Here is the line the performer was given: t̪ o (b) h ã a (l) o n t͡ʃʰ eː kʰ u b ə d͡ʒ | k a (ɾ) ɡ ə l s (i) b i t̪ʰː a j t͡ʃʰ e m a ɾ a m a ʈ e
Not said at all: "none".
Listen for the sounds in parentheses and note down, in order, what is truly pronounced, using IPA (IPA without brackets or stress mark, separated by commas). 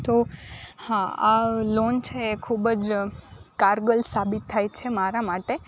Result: none, l, ɾ, a